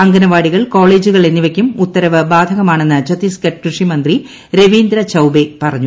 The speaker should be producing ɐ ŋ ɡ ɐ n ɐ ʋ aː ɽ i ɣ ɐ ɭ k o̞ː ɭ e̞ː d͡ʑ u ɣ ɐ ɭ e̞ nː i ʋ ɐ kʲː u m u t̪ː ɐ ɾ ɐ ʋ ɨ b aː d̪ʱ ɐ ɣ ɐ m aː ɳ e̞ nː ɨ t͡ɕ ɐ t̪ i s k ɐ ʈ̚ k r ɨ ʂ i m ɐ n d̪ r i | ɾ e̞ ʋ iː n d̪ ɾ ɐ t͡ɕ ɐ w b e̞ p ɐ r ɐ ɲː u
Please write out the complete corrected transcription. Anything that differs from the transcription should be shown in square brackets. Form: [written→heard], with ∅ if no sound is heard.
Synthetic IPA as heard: ɐ ŋ ɡ ɐ n ɐ ʋ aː ɽ i ɣ ɐ ɭ k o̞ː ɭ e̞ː d͡ʑ u ɣ ɐ ɭ e̞ nː i ʋ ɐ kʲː u m u t̪ː ɐ ɾ ɐ ʋ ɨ b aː d̪ʱ ɐ ɣ ɐ m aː ɳ e̞ nː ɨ t͡ɕ ɐ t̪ i s k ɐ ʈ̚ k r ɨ ʂ i m ɐ n d̪ r i | ɾ e̞ ʋ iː n d̪ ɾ ɐ t͡ɕ ɐ w b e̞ p ɐ r ɐ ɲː u